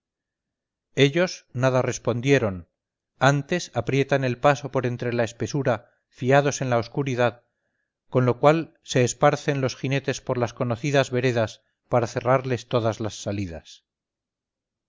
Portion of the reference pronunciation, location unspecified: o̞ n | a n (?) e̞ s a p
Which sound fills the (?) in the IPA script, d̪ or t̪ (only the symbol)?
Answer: t̪